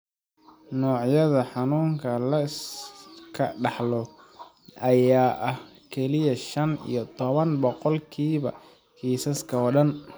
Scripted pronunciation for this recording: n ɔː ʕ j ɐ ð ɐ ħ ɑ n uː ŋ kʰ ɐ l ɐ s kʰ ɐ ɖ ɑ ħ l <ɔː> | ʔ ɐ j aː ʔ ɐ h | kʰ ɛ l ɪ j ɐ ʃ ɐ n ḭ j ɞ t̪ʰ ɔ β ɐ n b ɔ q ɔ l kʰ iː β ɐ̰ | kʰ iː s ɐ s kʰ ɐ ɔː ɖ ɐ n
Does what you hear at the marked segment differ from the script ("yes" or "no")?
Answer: yes